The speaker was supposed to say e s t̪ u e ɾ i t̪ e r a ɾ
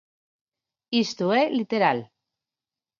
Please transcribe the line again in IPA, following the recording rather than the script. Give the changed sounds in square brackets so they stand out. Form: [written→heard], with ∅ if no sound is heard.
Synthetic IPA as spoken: [e→i] s t̪ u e [ɾ→l] i t̪ e [r→ɾ] a [ɾ→l]